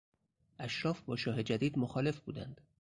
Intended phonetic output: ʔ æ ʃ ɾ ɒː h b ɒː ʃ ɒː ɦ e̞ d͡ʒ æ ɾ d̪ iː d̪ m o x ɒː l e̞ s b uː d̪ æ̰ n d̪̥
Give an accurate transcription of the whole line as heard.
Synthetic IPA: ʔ æ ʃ ɾ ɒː f b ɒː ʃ ɒː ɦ e̞ d͡ʒ æ d̪ iː d̪ m o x ɒː l e̞ f b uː d̪ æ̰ n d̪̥